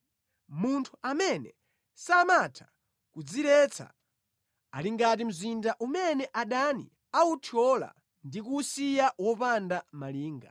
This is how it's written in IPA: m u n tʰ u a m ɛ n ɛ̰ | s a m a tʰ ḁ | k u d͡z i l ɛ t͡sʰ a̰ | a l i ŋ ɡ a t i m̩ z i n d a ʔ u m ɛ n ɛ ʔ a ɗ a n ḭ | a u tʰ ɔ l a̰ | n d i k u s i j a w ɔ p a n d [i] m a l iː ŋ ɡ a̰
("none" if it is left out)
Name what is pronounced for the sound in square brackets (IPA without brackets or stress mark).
a